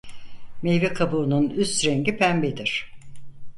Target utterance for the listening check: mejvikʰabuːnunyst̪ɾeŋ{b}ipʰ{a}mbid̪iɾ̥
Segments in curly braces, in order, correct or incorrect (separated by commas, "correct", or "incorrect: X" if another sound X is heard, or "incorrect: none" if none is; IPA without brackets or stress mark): incorrect: ɟ, incorrect: æ